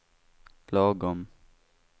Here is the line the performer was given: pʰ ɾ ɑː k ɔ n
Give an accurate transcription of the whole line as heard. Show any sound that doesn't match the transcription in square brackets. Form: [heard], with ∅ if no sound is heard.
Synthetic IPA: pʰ [l] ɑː [ɡ] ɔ [m]